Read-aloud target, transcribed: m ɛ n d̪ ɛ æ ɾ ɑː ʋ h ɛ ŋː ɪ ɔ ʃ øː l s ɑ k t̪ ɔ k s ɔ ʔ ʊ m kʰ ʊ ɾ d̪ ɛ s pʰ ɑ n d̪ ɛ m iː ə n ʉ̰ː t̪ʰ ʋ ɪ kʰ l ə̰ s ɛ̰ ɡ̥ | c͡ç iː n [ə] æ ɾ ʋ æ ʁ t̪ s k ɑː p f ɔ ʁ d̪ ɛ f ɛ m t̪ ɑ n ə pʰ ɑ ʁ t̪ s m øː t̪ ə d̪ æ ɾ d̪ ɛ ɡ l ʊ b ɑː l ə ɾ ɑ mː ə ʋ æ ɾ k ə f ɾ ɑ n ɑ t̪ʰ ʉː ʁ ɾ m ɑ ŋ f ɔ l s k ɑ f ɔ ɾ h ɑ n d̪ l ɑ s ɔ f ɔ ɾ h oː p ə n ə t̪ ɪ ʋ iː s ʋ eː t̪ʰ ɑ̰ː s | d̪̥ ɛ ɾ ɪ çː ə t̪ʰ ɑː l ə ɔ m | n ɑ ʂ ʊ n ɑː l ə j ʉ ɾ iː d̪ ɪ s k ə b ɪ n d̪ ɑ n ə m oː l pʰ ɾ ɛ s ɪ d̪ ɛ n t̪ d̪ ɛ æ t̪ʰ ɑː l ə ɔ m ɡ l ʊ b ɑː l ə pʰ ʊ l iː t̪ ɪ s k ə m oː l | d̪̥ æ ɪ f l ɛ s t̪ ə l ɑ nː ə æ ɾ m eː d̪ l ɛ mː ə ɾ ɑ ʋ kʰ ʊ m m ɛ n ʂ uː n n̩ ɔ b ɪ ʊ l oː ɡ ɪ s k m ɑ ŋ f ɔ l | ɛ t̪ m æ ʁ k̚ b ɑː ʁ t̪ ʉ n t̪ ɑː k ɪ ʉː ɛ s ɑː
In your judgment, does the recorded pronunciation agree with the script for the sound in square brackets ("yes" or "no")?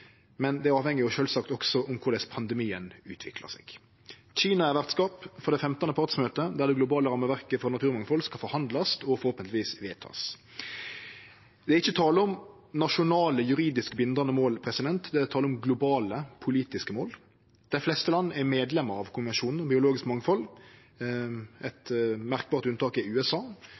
no